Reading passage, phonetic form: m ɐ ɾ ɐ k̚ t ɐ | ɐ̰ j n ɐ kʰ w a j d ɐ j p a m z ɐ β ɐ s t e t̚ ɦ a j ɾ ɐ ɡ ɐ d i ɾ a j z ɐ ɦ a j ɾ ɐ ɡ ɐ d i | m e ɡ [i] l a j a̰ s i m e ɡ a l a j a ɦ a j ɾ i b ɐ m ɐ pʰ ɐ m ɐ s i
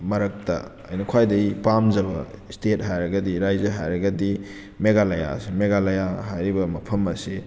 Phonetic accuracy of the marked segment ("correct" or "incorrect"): incorrect